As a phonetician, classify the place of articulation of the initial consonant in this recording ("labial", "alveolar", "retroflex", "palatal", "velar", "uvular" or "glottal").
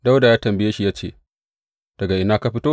alveolar